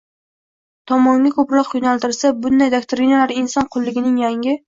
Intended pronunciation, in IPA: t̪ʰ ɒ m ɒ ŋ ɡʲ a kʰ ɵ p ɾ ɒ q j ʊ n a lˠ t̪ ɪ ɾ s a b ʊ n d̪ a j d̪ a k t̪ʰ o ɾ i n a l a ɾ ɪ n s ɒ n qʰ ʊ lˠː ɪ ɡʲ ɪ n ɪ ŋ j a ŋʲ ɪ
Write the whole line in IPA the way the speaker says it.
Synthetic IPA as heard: t̪ʰ ɒ m ɒ ŋ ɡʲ a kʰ ɵ p ɾ ɒ q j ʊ n a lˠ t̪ ɪ ɾ s a b ʊ n d̪ a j d̪ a k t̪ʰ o ɾ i n a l a ɾ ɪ n s ɒ n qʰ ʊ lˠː ɪ ɡʲ ɪ n ɪ ŋ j a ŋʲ ɪ